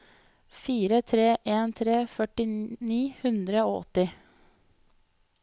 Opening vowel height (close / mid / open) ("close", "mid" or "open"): close